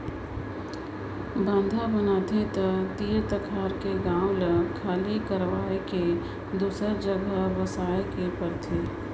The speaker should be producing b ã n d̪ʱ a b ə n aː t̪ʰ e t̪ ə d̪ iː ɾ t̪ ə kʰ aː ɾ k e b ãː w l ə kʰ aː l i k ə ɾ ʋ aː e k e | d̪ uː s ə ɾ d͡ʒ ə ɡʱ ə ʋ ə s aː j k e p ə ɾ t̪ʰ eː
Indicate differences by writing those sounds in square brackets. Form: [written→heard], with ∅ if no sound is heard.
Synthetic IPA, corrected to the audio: b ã n d̪ʱ a b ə n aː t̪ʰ e t̪ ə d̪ iː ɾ t̪ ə kʰ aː ɾ k e [b→ɡ] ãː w l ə kʰ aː l i k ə ɾ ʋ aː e k e | d̪ uː s ə ɾ d͡ʒ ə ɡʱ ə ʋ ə s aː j k e p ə ɾ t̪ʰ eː